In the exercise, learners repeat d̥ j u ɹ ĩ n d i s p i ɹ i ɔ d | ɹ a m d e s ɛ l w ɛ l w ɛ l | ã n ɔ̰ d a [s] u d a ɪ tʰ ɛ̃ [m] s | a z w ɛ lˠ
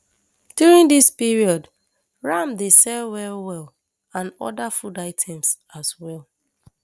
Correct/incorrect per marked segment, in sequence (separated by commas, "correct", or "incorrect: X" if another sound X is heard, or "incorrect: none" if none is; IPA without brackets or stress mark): incorrect: f, correct